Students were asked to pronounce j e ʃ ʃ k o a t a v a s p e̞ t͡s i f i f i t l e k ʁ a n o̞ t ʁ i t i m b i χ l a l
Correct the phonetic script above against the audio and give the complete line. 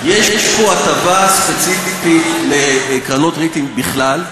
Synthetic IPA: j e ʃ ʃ p o a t a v a s p e̞ t͡s i f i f i t l e k ʁ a n o̞ t ʁ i t i m b i χ l a l